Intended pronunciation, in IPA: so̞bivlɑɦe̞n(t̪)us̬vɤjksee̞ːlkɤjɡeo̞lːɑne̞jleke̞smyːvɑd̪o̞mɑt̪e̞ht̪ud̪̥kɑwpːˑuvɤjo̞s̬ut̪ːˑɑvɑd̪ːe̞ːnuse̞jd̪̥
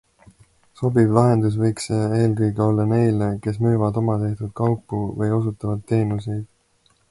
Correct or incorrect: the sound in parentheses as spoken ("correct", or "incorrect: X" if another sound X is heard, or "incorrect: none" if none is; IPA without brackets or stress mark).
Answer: incorrect: d̪